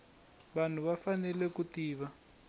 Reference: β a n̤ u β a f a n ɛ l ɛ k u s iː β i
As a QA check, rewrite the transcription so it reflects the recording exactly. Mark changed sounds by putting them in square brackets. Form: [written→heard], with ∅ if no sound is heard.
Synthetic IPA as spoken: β a n̤ u β a f a n ɛ l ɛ k u [s→t] iː β [i→a]